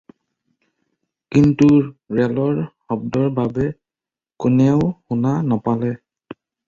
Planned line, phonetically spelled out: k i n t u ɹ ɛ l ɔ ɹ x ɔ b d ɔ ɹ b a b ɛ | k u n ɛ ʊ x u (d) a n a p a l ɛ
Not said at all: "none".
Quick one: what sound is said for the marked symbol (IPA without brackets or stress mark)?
n